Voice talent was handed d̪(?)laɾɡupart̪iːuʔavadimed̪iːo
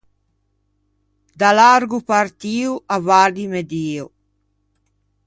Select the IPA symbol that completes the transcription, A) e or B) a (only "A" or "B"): B